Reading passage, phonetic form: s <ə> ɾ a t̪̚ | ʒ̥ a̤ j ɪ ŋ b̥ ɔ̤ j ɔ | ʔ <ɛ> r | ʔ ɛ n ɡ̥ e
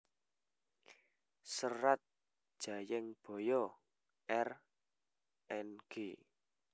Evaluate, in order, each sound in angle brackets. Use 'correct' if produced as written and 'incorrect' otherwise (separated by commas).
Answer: correct, correct